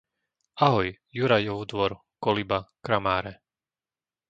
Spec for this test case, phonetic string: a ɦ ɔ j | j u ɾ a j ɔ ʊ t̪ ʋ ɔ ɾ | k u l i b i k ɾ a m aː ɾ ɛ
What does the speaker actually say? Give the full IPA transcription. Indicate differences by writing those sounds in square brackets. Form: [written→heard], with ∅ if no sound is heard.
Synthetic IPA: a ɦ ɔ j | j u ɾ a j ɔ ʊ [t̪→d̪] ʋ ɔ ɾ | k [u→ɔ] l i b [i→a] k ɾ a m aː ɾ ɛ